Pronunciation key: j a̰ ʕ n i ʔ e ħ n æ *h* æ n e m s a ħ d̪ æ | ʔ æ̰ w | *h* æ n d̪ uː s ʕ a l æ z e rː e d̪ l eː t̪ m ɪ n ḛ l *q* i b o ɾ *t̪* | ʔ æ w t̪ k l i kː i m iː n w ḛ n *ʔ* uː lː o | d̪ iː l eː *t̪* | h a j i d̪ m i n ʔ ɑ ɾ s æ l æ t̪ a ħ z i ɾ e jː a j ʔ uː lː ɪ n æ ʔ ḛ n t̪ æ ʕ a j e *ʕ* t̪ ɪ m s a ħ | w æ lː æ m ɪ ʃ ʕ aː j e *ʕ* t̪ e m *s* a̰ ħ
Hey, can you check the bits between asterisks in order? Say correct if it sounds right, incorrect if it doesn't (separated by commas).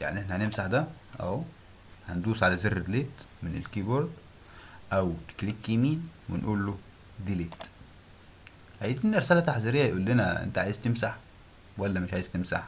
correct, correct, incorrect, incorrect, correct, correct, incorrect, incorrect, correct